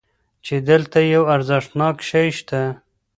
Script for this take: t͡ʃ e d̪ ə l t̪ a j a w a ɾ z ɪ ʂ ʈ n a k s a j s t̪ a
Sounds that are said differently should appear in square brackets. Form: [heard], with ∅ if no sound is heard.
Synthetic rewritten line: t͡ʃ e d̪ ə l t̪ a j a w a ɾ z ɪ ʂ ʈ n [ɑ] k [ʃ] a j [ʃ] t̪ a